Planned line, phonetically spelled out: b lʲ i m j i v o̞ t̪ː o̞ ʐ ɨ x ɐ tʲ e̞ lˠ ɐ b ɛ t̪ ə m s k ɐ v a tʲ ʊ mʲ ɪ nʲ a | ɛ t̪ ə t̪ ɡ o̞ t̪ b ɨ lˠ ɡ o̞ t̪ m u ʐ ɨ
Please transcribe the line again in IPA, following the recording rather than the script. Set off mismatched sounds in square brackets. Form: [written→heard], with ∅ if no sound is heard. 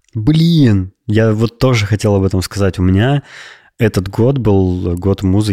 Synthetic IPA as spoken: b lʲ i [m→n] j [i→a] v o̞ t̪ː o̞ ʐ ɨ x ɐ tʲ e̞ lˠ ɐ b ɛ t̪ ə m s k ɐ [v→z] a tʲ ʊ mʲ ɪ nʲ a | ɛ t̪ ə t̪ ɡ o̞ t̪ b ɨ lˠ ɡ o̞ t̪ m u [ʐ→z] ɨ